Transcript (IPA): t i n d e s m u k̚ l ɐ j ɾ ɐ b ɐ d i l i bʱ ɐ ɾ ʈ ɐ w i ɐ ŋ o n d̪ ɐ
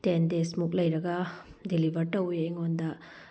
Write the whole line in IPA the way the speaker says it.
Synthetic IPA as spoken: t e n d e s m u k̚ l ɐ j ɾ ɐ ɡ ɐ d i l i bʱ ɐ ɾ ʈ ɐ w j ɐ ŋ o n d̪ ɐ